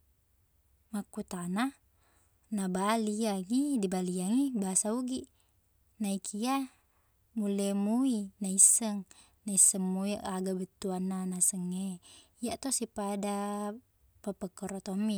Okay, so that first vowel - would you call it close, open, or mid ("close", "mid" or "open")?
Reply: open